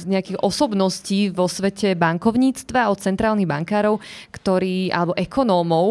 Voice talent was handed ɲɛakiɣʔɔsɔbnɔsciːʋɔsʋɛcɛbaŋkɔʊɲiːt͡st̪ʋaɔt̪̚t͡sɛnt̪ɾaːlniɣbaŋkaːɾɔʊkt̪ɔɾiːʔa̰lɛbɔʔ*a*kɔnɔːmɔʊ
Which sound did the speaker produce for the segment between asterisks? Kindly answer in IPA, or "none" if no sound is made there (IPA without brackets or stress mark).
ɛ